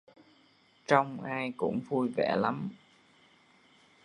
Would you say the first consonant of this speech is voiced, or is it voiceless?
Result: voiceless